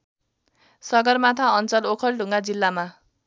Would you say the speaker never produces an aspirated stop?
no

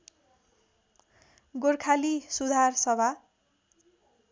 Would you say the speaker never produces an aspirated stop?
no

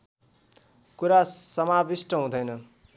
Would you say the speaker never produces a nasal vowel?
no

